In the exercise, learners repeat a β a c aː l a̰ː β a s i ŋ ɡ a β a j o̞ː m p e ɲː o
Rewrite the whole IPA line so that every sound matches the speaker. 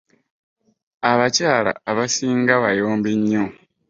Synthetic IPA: a β a c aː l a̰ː β a s iː ŋ ɡ a β a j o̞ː m b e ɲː o